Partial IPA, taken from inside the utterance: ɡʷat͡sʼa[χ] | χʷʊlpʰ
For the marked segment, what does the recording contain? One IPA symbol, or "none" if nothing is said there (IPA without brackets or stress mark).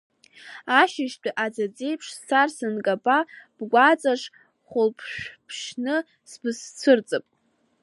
ʂ